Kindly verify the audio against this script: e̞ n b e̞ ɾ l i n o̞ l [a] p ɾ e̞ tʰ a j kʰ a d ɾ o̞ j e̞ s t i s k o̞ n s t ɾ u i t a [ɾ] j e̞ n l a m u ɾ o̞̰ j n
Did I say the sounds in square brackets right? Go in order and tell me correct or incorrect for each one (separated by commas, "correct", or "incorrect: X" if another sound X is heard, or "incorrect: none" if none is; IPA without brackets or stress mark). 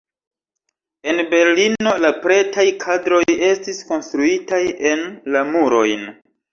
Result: correct, incorrect: none